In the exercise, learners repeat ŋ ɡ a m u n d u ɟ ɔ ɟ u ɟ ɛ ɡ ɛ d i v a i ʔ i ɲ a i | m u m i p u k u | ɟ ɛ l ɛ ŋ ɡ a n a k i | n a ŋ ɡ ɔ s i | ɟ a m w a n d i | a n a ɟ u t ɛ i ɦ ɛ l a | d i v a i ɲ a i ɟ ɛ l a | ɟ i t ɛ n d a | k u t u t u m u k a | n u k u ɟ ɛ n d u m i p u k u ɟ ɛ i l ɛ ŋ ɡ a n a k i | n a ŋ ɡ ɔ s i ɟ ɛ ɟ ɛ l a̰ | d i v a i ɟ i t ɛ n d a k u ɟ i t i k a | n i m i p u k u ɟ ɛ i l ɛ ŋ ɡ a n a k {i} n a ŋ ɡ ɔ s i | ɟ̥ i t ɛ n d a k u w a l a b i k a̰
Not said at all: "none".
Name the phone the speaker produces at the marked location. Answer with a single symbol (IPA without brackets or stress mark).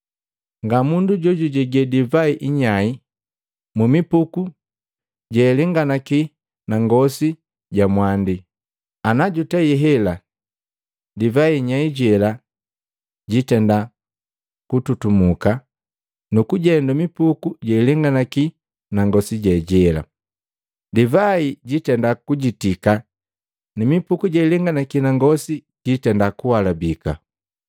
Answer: i